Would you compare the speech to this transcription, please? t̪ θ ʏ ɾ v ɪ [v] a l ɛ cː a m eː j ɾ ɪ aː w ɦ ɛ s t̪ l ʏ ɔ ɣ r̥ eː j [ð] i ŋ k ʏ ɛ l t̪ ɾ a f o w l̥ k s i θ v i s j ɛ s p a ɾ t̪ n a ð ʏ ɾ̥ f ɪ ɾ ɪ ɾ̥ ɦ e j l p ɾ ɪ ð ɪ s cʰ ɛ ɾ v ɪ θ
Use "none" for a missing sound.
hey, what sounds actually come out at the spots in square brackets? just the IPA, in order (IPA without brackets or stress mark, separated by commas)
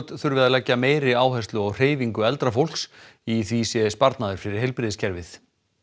ð, v